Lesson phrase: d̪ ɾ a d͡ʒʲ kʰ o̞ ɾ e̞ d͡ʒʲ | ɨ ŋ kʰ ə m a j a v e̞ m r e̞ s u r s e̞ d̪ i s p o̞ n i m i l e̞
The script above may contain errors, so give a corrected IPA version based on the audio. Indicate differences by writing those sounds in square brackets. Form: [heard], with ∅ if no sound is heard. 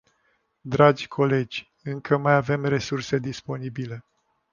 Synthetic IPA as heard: d̪ ɾ a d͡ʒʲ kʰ o̞ [l] e̞ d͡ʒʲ | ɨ ŋ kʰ ə m a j a v e̞ m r e̞ s u r s e̞ d̪ i s p o̞ n i [b] i l e̞